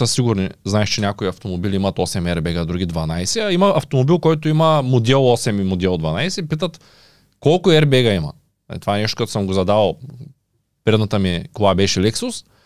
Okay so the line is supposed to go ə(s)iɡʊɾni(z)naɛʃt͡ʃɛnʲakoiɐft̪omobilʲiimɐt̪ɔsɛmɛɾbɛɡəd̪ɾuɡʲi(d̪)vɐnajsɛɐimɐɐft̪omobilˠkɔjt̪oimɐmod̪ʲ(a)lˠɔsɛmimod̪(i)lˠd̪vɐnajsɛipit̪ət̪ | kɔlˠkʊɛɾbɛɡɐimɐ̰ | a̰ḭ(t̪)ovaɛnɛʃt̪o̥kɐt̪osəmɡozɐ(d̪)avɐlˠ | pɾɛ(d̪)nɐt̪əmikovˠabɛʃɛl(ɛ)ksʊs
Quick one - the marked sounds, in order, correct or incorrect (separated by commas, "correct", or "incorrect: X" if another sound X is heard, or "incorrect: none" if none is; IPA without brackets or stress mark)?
correct, correct, correct, incorrect: ɛ, incorrect: ɛ, correct, correct, correct, correct